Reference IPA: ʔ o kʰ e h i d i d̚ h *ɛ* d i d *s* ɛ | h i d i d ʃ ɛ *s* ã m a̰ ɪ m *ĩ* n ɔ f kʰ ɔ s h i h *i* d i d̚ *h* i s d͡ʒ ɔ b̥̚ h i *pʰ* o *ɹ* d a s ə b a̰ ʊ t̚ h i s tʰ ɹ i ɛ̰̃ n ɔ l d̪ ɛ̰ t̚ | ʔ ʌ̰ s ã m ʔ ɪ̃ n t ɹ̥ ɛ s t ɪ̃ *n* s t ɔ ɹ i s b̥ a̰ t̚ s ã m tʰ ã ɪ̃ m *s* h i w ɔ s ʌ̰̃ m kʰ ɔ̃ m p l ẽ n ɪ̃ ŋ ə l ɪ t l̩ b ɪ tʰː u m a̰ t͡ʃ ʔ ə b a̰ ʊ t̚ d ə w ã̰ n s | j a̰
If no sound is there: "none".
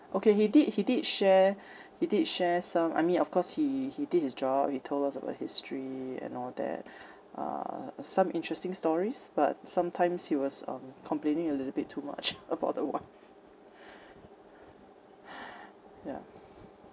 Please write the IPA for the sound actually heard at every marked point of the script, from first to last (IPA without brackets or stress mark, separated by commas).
i, ʃ, s, ĩ, i, h, tʰ, l, ŋ, s